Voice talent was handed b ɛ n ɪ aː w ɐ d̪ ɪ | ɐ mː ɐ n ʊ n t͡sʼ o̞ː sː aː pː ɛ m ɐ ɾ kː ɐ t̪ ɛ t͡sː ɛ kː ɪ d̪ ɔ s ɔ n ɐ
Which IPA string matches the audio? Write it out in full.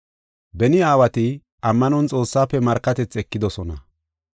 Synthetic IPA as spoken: b ɛ n ɪ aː w ɐ t̪ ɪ | ɐ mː ɐ n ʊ n t͡sʼ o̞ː sː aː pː ɛ m ɐ ɾ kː ɐ t̪ ɛ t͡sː ɛ kː ɪ d̪ ɔ s ɔ n ɐ